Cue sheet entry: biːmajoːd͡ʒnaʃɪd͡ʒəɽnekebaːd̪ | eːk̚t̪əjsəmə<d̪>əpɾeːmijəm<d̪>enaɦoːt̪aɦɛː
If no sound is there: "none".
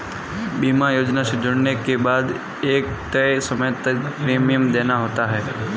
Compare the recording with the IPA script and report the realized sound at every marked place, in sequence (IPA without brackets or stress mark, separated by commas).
t̪, d̪